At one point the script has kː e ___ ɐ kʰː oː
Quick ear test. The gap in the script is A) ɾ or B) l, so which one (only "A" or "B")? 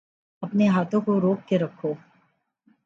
A